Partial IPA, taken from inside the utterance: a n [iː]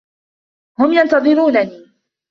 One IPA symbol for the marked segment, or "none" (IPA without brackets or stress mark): iː